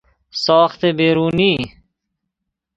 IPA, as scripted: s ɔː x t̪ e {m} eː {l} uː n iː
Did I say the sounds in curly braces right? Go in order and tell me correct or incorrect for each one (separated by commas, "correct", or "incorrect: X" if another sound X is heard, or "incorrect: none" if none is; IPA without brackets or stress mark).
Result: incorrect: b, incorrect: ɾ